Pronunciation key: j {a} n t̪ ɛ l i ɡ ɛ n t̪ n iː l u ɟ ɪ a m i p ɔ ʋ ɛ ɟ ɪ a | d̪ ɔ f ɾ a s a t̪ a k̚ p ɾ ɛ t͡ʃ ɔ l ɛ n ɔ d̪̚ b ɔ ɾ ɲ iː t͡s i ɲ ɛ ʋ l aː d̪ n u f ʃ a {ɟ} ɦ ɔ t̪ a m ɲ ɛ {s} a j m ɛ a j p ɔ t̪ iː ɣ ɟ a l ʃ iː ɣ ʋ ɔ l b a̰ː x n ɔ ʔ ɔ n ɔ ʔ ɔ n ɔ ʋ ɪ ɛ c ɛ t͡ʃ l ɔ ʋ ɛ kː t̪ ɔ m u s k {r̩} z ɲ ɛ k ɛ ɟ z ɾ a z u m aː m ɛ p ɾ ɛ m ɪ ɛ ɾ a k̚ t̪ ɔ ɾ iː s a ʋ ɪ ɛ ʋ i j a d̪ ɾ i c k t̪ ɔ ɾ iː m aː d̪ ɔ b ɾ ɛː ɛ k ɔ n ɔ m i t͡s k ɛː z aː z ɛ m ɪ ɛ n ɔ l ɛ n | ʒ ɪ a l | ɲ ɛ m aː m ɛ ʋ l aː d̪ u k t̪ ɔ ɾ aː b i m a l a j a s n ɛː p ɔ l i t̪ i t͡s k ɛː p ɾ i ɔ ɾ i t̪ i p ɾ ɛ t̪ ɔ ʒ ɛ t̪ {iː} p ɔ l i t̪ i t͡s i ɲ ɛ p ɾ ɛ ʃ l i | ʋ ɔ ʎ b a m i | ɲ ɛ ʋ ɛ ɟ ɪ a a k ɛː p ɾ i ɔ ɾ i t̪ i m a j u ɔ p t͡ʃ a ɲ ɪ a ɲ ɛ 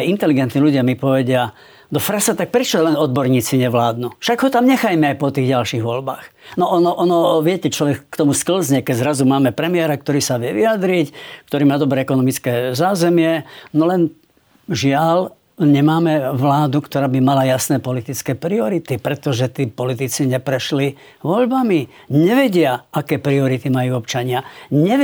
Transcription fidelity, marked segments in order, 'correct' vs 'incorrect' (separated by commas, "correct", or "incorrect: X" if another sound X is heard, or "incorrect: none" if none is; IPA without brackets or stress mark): incorrect: i, incorrect: ɡ, incorrect: x, incorrect: l̩, correct